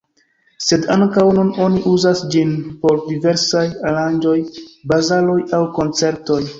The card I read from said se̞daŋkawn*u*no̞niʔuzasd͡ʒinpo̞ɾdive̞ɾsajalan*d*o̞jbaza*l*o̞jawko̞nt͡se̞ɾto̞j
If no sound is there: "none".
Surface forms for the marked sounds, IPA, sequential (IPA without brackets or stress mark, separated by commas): u, d͡ʒ, l